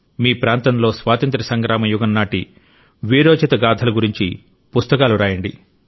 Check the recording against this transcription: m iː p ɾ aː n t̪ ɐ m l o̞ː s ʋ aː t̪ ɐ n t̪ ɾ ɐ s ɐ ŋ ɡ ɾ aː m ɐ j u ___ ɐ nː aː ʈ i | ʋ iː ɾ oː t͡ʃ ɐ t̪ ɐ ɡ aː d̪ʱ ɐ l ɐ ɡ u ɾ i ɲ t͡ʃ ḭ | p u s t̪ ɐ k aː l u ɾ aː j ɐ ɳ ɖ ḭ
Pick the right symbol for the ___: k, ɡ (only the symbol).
ɡ